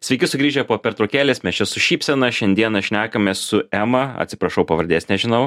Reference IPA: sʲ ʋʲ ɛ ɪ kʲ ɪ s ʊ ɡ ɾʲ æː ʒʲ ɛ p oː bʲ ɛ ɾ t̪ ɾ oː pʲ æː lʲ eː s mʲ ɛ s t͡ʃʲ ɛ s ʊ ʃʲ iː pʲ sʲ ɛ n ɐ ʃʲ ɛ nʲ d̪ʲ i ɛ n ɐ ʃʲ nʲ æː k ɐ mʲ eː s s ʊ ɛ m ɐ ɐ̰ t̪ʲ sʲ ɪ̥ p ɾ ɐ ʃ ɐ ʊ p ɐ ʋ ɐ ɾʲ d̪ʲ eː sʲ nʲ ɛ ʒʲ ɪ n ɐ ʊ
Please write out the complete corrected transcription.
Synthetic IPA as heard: sʲ ʋʲ ɛ ɪ kʲ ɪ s ʊ ɡ ɾʲ iː ʒʲ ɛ p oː pʲ ɛ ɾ t̪ ɾ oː kʲ æː lʲ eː s mʲ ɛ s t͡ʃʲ ɛ s ʊ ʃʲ iː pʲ sʲ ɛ n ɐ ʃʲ ɛ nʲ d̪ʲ i ɛ n ɐ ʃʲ nʲ æː k ɐ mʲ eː s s ʊ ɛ m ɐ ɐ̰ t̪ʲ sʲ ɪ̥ p ɾ ɐ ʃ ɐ ʊ p ɐ ʋ ɐ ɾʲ d̪ʲ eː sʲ nʲ ɛ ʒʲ ɪ n ɐ ʊ